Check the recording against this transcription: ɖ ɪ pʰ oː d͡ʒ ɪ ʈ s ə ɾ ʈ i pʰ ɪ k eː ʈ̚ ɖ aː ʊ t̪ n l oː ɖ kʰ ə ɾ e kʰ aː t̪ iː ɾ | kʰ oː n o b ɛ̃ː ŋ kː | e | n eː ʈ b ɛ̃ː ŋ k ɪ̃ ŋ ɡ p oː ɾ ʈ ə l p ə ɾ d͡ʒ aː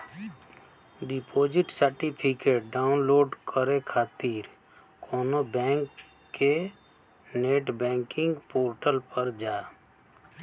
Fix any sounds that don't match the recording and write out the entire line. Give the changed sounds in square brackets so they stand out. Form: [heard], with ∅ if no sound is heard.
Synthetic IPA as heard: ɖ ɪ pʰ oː d͡ʒ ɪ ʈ s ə ɾ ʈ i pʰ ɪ k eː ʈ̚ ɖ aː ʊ [∅] n l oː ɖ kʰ ə ɾ e kʰ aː t̪ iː ɾ | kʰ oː n o b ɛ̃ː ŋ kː | e | n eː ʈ b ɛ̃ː ŋ k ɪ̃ ŋ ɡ p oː ɾ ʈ ə l p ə ɾ d͡ʒ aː

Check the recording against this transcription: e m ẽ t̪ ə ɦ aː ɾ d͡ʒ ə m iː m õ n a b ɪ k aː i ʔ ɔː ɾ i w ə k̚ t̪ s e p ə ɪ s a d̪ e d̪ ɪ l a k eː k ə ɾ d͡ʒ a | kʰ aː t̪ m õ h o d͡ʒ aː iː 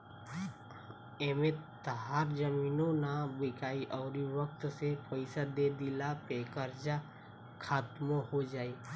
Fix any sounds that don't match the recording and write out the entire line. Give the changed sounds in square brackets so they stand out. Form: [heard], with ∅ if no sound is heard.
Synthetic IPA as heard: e m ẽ t̪ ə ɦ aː ɾ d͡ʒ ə m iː [n] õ n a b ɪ k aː i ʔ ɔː ɾ i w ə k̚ t̪ s e p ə ɪ s a d̪ e d̪ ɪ l a [p] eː k ə ɾ d͡ʒ a | kʰ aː t̪ m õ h o d͡ʒ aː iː

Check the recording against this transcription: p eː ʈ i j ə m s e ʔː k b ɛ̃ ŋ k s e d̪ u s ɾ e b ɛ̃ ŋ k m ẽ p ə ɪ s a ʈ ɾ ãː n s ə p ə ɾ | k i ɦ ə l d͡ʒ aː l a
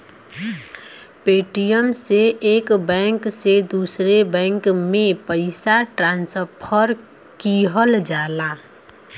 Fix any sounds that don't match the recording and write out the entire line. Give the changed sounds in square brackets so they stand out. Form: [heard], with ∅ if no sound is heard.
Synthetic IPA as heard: p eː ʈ i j ə m s e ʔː k b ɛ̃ ŋ k s e d̪ u s ɾ e b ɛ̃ ŋ k m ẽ p ə ɪ s a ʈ ɾ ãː n s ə [pʰ] ə ɾ | k i ɦ ə l d͡ʒ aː l a

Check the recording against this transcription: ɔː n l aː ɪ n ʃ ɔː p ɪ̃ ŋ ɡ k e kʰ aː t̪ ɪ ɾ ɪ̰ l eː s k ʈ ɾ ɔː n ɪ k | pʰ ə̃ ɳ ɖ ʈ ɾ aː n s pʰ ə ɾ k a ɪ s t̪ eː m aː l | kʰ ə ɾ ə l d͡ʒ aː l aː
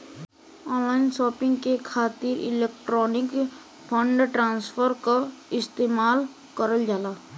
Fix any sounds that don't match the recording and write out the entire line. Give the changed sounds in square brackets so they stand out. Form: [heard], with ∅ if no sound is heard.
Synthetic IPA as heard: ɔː n l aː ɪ n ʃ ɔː p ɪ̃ ŋ ɡ k e kʰ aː t̪ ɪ ɾ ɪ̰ l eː [∅] k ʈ ɾ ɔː n ɪ k | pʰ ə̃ ɳ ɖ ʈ ɾ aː n s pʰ ə ɾ k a ɪ s t̪ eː m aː l | [k] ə ɾ ə l d͡ʒ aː l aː

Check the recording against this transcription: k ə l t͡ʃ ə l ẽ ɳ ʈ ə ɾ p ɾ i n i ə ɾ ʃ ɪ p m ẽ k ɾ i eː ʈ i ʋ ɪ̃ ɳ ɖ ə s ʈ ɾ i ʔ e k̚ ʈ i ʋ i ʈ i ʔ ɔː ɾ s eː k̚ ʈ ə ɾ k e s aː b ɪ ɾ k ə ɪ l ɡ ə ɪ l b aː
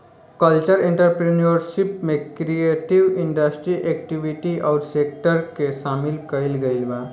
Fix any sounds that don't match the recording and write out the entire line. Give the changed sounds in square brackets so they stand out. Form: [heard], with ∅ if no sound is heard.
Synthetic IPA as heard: k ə l t͡ʃ ə [ɾ] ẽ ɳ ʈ ə ɾ p ɾ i n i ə ɾ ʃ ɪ p m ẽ k ɾ i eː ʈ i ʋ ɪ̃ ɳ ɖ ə s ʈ ɾ i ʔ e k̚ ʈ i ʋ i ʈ i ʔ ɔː ɾ s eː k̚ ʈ ə ɾ k e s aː [m] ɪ [l] k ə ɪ l ɡ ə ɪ l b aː

